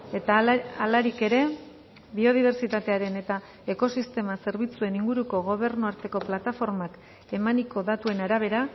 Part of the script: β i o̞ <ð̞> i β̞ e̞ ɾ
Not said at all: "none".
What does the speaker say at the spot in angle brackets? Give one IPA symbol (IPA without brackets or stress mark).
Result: ð̞